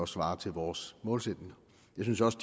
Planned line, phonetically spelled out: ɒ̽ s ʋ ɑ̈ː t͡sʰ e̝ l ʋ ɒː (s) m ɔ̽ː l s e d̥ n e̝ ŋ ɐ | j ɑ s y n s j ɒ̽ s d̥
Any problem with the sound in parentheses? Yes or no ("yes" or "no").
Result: no